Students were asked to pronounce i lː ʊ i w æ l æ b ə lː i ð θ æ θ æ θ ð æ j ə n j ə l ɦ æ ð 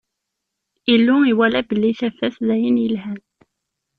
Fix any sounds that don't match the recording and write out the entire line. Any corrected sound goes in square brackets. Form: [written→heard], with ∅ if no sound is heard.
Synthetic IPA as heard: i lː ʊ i w æ l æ b ə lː i [ð→∅] θ æ [θ→f] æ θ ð æ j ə n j ə l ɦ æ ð